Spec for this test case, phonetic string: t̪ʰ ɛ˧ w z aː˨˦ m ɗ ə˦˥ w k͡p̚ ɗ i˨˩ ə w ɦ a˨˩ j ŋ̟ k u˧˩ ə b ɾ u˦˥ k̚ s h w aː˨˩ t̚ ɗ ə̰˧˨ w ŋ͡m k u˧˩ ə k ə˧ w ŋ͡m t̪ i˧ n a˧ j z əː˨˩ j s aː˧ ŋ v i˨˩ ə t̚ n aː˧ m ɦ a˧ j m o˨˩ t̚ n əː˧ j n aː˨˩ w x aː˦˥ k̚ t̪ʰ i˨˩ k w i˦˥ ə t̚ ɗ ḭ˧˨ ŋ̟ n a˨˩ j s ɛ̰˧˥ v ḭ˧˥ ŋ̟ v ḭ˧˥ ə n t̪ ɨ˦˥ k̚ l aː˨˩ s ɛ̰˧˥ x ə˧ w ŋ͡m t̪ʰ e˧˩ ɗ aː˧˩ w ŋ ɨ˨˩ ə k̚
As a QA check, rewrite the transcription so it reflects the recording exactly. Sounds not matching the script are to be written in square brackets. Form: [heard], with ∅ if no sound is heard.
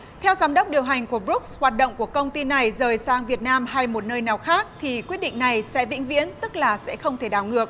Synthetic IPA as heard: t̪ʰ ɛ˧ w z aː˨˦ m ɗ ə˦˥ w k͡p̚ ɗ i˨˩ ə w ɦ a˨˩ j ŋ̟ k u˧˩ ə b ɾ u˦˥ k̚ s h w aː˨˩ t̚ ɗ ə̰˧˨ w ŋ͡m k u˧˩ ə k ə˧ w ŋ͡m t̪ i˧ n [a˨˩] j z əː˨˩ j s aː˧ ŋ v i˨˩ ə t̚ n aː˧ m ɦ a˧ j m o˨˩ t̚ n əː˧ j n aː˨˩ w x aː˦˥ k̚ t̪ʰ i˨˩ k w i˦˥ ə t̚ ɗ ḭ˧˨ ŋ̟ n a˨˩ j s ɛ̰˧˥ v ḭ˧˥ ŋ̟ v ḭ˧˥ ə n t̪ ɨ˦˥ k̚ l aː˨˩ s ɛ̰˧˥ x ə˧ w ŋ͡m t̪ʰ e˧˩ ɗ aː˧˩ w ŋ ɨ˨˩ ə k̚